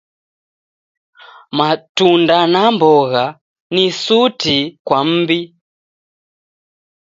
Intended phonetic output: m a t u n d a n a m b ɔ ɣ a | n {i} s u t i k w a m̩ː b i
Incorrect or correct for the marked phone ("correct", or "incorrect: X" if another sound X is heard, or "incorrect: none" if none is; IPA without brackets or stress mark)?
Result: correct